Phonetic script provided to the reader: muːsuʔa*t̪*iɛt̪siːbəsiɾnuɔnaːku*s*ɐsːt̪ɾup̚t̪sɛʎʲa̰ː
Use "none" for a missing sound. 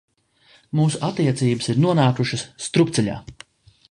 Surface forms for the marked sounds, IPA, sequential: t̪, ʃ

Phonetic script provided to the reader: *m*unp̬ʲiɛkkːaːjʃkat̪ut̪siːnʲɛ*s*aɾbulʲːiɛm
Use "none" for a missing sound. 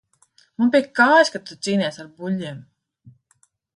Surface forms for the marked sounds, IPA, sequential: m, s

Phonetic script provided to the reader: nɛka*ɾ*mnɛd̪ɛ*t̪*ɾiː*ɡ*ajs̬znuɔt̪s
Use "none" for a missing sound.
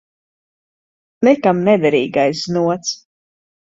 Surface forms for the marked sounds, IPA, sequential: none, none, ɡ

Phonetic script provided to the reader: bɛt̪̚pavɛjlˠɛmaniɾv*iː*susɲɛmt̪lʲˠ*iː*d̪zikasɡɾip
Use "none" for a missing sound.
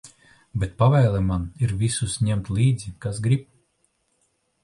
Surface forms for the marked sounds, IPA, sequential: i, iː

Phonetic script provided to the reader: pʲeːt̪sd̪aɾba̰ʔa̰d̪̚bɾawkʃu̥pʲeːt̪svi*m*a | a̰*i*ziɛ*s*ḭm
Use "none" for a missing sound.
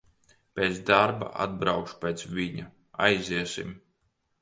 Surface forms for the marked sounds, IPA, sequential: ɲ, j, s

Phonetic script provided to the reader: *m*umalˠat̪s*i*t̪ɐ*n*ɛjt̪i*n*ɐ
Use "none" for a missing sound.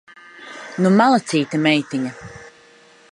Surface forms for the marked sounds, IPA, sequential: n, iː, m, ɲ

